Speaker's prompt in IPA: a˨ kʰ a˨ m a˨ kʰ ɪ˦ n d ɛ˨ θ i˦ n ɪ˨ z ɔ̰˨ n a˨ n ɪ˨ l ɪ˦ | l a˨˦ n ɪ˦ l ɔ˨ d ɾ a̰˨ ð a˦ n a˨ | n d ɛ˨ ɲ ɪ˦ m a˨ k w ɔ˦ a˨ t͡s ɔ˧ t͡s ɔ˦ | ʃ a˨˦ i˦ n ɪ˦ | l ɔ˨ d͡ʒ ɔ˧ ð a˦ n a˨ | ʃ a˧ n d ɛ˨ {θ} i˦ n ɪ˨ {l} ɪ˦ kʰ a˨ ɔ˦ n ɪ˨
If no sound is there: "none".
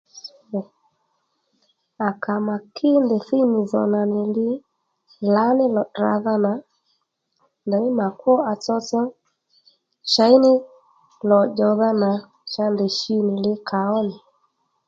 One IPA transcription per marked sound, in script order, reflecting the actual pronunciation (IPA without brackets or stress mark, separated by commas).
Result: ʃ, l